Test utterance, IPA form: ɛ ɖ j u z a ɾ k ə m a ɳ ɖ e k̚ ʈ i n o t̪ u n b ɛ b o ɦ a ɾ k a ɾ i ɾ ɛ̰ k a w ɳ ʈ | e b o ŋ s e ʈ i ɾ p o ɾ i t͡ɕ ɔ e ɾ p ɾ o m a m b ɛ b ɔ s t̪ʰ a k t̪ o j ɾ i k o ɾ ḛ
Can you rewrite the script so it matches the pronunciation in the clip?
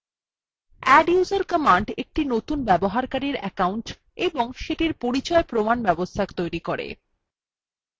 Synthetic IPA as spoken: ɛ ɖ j u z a ɾ k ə m a ɳ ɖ e k̚ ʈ i n o t̪ u n b ɛ b o ɦ a ɾ k a ɾ i ɾ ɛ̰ k a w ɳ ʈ | e b o ŋ ʃ e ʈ i ɾ p o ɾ i t͡ɕ ɔ e p ɾ o m a n b ɛ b o s t̪ʰ a k t̪ o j ɾ i k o ɾ ḛ